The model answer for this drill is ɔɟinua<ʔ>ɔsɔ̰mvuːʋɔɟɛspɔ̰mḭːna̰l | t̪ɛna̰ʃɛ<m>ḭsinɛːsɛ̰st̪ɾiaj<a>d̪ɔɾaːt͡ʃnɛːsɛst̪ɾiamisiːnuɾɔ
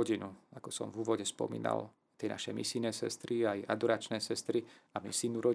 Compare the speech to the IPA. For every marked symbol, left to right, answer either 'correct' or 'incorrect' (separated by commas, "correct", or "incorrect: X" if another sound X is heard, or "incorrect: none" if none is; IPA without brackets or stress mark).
incorrect: k, correct, correct